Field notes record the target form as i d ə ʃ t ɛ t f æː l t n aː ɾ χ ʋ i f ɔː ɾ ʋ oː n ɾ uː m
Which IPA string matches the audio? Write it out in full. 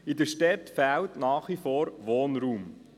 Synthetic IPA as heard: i d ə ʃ t ɛ t f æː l t n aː χ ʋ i f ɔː ɾ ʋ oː n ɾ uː m